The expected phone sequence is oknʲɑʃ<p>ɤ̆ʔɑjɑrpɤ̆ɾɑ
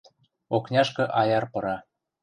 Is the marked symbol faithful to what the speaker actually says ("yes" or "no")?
no